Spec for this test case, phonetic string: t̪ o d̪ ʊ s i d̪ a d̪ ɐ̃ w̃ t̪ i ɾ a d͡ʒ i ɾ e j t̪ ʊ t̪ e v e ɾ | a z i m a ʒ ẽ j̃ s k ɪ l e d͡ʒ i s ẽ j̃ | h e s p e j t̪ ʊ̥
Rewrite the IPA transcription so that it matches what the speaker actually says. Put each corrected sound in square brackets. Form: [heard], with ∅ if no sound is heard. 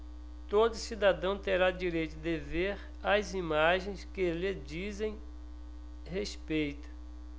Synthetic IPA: t̪ o d̪ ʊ s i d̪ a d̪ ɐ̃ w̃ t̪ [e] ɾ a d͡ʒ i ɾ e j t̪ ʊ [d̪] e v e ɾ | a z i m a ʒ ẽ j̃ s k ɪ l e d͡ʒ i [z] ẽ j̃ | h e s p e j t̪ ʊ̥